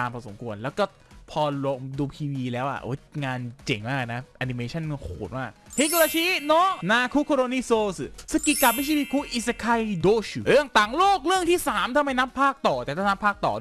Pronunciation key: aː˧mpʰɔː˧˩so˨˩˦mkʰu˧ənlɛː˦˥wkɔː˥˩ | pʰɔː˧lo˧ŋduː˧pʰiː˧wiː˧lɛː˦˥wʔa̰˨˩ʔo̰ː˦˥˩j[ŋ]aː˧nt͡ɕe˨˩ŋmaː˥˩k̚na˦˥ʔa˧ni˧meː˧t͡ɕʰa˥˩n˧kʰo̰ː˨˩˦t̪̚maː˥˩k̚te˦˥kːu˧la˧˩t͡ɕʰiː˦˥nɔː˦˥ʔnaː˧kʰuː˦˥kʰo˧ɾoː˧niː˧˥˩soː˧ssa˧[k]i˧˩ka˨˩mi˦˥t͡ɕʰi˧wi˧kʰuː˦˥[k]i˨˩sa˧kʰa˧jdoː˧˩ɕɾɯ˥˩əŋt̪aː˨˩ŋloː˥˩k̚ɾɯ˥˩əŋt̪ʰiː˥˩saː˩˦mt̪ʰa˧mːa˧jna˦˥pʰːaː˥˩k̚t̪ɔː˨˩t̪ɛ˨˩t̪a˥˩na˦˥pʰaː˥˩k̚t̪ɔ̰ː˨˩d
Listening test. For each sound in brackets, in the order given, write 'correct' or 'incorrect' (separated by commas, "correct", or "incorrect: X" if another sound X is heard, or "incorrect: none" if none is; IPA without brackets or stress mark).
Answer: correct, correct, incorrect: ʔ